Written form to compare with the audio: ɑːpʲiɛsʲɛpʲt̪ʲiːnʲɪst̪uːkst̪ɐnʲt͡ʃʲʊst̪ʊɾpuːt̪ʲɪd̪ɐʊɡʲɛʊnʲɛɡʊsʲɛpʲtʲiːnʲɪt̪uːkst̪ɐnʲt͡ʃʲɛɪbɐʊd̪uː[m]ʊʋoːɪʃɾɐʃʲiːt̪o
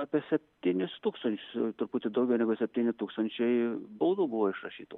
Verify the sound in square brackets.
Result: incorrect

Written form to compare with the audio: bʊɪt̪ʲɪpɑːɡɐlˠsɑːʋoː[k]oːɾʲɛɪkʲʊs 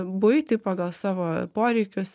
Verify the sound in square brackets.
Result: incorrect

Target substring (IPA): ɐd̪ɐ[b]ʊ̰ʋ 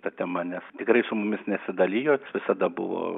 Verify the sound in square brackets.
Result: correct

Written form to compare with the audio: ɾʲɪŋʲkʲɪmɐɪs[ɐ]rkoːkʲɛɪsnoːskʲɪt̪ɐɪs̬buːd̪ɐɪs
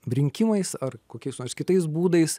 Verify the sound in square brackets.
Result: correct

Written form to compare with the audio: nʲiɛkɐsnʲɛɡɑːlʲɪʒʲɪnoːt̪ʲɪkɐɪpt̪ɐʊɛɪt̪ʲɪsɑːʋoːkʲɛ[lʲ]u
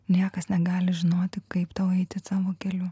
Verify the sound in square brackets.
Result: correct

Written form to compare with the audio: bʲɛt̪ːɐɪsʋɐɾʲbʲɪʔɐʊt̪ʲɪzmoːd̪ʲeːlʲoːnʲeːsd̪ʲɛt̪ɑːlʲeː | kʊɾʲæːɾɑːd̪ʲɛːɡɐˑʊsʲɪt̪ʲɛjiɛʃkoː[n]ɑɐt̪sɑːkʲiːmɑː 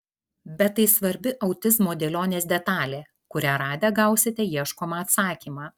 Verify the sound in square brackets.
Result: incorrect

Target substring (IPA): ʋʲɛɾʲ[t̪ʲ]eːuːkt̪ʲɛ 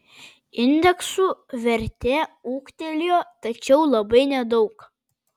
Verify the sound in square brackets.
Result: correct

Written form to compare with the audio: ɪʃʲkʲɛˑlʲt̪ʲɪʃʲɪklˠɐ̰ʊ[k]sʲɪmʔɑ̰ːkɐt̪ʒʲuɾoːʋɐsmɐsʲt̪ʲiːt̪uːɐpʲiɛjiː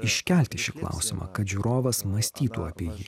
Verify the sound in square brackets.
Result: incorrect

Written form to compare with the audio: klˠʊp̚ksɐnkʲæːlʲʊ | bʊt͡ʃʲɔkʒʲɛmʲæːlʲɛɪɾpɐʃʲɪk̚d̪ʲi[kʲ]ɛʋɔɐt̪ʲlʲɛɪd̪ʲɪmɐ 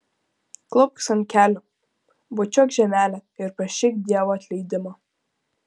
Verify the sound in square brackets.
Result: incorrect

